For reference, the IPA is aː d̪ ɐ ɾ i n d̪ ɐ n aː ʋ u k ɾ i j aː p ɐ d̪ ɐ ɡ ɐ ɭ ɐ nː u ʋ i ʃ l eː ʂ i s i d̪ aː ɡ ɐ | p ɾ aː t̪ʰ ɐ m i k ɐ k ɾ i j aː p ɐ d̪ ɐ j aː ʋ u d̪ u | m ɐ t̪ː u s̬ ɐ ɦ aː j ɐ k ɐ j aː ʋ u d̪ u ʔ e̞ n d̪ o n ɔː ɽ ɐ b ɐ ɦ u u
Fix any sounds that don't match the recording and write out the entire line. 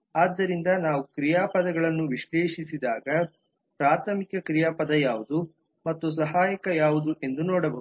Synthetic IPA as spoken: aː d̪ː ɐ ɾ i n d̪ ɐ n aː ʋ u k ɾ i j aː p ɐ d̪ ɐ ɡ ɐ ɭ ɐ nː u ʋ i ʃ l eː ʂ i s i d̪ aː ɡ ɐ | p ɾ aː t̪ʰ ɐ m i k ɐ k ɾ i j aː p ɐ d̪ ɐ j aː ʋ u d̪ u | m ɐ t̪ː u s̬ ɐ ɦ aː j ɐ k ɐ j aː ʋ u d̪ u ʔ e̞ n d̪ u n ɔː ɽ ɐ b ɐ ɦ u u